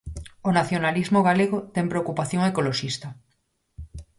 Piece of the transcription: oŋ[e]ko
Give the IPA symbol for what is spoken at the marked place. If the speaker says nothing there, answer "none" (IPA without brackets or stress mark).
e